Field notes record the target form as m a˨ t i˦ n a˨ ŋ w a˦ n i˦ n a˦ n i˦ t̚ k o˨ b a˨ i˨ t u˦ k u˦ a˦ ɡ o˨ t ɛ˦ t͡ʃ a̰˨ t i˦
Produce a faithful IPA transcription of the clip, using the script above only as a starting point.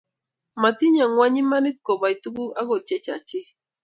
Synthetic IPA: m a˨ t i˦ ɲ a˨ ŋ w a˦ ɲ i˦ m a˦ n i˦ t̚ k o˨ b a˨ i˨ t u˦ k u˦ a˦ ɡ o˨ t͡ʃ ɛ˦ t͡ʃ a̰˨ t͡ʃ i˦

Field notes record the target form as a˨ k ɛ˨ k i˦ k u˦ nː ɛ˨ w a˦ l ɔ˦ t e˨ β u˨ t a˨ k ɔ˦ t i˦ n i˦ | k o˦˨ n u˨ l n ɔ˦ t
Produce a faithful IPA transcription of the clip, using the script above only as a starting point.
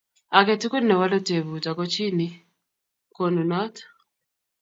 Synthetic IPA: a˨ k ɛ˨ t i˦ k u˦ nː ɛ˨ w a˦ l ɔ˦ t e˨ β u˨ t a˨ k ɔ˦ t͡ʃ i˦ n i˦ | k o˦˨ n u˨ n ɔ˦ t

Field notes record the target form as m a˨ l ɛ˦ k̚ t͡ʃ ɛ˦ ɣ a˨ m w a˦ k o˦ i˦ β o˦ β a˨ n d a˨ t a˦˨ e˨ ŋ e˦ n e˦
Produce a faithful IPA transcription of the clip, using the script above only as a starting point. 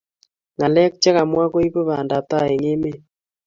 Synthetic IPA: ŋ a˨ l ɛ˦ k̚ t͡ʃ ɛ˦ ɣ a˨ m w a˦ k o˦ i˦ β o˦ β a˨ n d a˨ t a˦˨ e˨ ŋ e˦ m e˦

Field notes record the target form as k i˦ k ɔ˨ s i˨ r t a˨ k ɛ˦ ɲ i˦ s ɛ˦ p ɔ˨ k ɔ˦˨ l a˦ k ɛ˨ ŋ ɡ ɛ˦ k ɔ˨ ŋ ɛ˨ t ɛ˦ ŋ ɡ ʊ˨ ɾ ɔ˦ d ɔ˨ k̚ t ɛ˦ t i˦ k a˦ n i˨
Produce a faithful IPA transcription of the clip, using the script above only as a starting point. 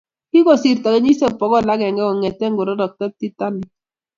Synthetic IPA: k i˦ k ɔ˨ s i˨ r t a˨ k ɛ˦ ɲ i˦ s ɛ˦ p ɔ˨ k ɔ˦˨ l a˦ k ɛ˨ ŋ ɡ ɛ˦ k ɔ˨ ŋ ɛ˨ t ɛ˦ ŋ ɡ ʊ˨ ɾ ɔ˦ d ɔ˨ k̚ t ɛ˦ t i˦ t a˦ n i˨

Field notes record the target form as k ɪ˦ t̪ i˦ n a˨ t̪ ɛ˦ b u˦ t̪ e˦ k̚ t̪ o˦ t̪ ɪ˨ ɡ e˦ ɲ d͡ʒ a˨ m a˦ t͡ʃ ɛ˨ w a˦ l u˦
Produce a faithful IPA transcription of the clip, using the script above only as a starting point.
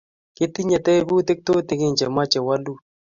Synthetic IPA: k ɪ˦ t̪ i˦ ɲ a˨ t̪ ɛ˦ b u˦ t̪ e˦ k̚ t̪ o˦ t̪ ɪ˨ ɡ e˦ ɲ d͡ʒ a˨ m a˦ t͡ʃ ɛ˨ w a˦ l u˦

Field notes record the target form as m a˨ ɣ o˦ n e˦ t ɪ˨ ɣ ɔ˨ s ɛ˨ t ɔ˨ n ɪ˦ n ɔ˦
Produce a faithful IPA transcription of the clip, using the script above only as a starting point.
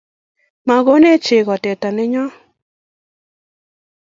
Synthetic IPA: m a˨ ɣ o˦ n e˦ t͡ʃ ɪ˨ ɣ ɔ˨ t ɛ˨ t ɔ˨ n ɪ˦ ɲ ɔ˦

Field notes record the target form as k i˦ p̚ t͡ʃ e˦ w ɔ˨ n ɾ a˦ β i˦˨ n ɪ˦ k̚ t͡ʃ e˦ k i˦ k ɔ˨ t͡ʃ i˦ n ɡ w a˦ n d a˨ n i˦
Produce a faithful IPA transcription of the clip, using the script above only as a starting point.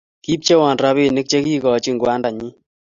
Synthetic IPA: k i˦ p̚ t͡ʃ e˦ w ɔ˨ n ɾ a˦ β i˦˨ n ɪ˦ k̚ t͡ʃ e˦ k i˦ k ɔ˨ t͡ʃ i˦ ŋ ɡ w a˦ n d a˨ ɲ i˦

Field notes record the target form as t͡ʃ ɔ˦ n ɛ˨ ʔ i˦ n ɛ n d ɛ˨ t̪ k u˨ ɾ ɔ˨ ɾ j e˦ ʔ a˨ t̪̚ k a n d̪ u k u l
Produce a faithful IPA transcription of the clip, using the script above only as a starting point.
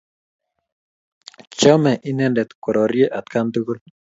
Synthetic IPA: t͡ʃ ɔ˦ m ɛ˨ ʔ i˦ n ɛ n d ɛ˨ t̪ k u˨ ɾ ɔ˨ ɾ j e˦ ʔ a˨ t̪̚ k a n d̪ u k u l

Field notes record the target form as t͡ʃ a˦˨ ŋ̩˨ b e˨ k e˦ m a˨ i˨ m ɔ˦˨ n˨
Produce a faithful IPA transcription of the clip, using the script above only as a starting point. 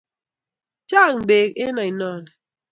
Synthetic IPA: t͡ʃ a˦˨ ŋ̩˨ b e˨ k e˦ n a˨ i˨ n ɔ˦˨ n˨

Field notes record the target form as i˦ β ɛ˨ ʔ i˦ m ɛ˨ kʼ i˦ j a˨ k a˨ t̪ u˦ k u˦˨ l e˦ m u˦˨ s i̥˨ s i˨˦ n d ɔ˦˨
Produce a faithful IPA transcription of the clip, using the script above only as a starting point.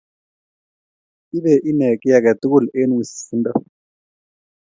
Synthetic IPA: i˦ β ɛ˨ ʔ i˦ n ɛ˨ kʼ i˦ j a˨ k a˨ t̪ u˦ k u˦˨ l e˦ n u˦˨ s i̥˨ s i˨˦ n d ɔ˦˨

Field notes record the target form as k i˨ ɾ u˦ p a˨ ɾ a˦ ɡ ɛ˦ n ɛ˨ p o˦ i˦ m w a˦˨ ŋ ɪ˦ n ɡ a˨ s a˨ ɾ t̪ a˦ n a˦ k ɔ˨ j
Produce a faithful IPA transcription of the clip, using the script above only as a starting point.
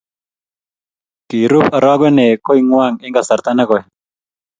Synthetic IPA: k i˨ ɾ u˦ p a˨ ɾ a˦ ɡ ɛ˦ n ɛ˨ k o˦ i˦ ŋ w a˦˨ ŋ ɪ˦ ŋ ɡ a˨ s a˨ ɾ t̪ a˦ n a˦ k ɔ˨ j

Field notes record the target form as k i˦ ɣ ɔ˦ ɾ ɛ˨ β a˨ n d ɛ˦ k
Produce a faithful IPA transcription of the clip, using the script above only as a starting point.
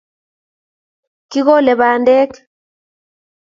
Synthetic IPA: k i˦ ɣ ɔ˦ l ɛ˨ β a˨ n d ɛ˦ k

